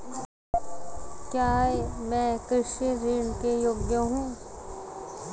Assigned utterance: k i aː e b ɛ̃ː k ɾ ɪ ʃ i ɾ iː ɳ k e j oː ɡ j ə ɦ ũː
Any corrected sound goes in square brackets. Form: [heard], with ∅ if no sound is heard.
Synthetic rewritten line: k [j] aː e [m] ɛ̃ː k ɾ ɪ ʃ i ɾ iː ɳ k e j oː ɡ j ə ɦ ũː